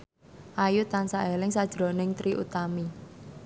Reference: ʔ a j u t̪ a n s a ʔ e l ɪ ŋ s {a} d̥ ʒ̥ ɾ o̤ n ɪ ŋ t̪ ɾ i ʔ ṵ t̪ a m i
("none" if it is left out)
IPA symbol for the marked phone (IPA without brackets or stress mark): a